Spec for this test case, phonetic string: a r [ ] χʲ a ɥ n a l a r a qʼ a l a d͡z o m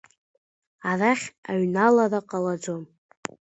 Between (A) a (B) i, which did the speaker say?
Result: A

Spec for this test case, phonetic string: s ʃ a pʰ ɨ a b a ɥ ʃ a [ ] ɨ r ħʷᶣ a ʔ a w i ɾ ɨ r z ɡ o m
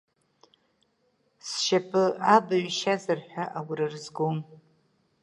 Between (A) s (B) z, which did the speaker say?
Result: B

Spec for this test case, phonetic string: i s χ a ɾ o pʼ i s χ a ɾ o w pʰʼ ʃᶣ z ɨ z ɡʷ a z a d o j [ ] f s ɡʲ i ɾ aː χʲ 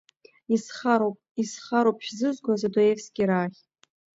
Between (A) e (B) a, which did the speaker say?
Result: A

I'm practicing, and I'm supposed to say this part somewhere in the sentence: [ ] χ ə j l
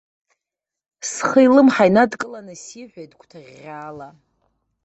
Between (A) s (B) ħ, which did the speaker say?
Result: A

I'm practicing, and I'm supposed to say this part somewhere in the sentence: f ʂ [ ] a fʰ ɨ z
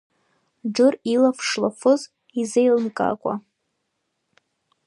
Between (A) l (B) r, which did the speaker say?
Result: A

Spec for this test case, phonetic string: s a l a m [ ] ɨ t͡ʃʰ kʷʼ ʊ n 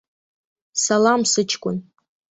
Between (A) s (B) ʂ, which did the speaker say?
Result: A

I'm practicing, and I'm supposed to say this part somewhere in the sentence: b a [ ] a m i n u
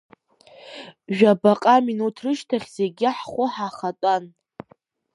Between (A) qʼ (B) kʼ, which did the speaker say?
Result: A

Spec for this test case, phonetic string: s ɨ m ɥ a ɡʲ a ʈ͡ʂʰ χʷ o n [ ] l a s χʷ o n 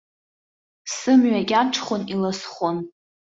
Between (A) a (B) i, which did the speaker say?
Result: B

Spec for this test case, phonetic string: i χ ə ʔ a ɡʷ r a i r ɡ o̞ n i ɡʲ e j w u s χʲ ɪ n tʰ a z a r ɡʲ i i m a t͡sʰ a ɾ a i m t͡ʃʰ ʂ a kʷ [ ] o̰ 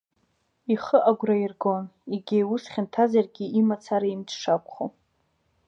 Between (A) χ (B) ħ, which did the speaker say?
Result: A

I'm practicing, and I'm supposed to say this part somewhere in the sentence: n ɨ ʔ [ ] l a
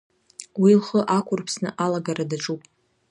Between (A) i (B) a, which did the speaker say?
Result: B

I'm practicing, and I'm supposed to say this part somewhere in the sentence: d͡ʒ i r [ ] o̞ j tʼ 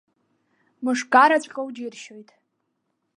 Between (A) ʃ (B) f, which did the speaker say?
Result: A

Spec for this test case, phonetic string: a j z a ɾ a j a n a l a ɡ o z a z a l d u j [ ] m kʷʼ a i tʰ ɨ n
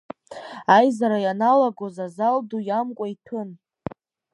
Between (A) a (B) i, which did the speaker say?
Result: A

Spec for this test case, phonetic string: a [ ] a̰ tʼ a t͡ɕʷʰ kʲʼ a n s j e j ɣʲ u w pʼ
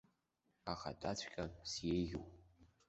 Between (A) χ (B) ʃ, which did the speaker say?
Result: A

